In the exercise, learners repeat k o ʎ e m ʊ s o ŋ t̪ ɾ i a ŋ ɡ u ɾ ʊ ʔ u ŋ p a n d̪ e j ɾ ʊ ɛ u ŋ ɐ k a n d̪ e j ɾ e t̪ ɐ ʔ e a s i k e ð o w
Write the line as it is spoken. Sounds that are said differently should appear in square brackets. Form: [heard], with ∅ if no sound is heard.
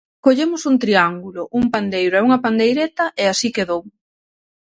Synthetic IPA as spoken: k o ʎ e m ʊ s [u] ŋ t̪ ɾ i a ŋ ɡ u [l] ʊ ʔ u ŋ p a n d̪ e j ɾ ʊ ɛ u ŋ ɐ [p] a n d̪ e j ɾ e t̪ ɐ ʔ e a s i k e ð o w